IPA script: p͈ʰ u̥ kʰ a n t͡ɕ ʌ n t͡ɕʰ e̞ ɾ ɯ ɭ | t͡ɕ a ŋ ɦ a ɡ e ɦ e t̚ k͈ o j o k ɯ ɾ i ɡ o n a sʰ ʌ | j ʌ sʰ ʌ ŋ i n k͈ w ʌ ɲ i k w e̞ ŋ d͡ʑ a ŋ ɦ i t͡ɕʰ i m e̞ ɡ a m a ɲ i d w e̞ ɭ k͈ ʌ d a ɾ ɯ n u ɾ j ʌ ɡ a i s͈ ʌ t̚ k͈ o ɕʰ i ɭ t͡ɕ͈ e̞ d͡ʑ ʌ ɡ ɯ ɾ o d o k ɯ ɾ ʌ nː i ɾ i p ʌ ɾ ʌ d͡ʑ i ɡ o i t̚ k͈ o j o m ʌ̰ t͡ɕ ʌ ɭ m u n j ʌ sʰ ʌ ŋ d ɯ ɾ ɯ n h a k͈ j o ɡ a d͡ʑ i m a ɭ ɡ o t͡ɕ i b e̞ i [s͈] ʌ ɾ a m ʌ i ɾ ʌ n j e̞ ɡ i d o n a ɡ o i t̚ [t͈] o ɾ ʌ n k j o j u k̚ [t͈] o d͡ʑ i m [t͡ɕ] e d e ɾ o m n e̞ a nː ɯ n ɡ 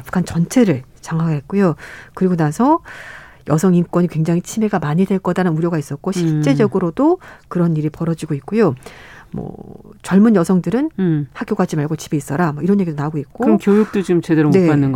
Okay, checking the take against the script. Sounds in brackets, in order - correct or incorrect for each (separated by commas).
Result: correct, incorrect, correct, correct